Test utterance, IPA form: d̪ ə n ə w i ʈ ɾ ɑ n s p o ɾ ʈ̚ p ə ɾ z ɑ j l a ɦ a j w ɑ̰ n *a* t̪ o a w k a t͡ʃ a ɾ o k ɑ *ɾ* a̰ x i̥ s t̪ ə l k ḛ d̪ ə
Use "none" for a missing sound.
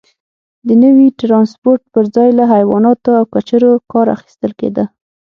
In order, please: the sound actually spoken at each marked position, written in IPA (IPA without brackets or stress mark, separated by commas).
ɑ, ɾ